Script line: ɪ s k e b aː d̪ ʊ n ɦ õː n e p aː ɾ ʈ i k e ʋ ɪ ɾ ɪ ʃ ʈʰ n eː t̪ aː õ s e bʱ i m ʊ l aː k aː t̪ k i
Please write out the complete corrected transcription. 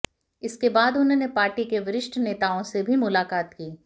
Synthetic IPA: ɪ s k e b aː d̪ ʊ n ɦ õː n e p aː ɾ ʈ i k e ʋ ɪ ɾ ɪ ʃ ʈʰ n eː t̪ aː õ s e bʱ i m ʊ l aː k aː t̪ k iː